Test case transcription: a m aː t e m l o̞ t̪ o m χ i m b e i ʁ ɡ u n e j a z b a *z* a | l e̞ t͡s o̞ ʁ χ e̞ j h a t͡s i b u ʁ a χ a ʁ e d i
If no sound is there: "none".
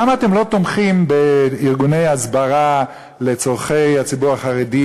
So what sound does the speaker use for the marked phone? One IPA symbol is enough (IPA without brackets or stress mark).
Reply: ʁ